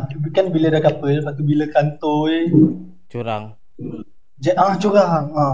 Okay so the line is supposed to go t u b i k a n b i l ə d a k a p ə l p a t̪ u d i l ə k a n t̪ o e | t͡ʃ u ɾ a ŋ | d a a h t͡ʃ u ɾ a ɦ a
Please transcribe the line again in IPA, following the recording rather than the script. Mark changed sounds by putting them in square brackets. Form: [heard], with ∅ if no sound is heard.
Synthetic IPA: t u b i k a n b i l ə d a k a p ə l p a t̪ u [b] i l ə k a n t̪ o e | t͡ʃ u ɾ a ŋ | [d͡ʒ] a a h t͡ʃ u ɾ a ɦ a